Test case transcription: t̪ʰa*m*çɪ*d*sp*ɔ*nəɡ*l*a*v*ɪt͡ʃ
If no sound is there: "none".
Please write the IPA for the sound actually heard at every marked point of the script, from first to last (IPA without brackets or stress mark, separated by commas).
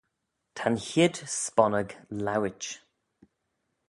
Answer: n, d, ɔ, l, w